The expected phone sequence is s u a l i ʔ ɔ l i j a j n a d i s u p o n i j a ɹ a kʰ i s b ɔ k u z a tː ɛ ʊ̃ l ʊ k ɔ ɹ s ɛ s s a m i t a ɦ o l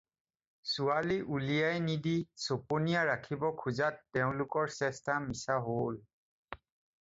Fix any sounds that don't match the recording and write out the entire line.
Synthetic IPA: s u a l i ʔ u l i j a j n i d i s o p o n i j a ɹ a kʰ i b ɔ kʰ u z a tː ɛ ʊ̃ l ʊ k ɔ ɹ s ɛ s t a m i s a ɦ o l